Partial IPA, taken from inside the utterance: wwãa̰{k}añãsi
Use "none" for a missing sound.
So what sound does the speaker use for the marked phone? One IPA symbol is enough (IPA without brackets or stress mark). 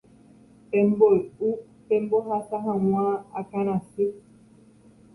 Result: k